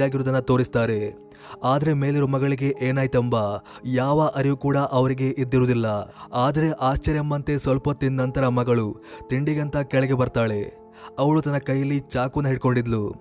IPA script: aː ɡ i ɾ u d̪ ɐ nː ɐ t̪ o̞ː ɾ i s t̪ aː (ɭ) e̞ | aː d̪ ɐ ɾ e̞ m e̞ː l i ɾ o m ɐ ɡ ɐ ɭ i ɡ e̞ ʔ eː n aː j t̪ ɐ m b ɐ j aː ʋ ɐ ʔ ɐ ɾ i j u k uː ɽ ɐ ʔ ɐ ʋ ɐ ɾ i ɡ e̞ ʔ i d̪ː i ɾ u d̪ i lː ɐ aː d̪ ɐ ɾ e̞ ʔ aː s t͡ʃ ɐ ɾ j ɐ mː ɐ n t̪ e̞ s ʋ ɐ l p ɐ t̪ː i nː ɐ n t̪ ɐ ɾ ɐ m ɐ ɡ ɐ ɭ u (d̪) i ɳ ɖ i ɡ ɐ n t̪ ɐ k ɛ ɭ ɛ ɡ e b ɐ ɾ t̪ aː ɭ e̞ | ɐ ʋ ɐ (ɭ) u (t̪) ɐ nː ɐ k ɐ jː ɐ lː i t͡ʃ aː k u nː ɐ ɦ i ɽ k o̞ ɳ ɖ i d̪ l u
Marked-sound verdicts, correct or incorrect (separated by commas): incorrect, incorrect, correct, correct